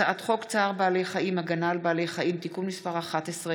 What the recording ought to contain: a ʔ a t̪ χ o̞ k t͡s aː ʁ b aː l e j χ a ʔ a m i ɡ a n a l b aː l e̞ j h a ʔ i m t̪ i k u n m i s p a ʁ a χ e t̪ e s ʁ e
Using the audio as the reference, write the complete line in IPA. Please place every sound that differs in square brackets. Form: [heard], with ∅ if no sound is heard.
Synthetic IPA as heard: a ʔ a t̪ χ o̞ k t͡s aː ʁ b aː l e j χ a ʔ [i] m [a] ɡ a n a l b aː l e̞ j [χ] a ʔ i m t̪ i k u n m i s p a ʁ a χ [a] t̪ e s ʁ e